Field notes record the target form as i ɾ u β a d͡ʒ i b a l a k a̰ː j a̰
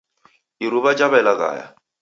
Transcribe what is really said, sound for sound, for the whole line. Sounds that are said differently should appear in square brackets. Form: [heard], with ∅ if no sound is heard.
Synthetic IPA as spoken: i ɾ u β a d͡ʒ [a] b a l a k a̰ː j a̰